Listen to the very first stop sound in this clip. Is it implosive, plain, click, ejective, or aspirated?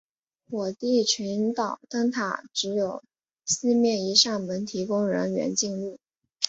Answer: plain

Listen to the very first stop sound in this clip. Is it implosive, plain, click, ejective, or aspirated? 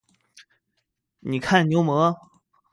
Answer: aspirated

